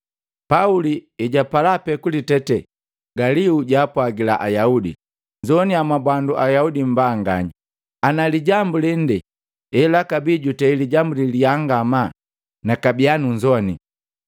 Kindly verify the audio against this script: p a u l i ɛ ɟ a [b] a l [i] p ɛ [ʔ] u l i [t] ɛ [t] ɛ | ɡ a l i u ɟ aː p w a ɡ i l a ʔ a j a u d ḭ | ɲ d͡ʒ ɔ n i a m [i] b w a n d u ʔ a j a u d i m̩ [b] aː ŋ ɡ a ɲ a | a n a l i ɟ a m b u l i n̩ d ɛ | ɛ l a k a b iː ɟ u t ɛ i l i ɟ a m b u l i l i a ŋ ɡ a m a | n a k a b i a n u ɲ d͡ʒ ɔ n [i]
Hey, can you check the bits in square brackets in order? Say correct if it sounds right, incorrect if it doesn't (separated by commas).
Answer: incorrect, incorrect, incorrect, correct, correct, incorrect, correct, correct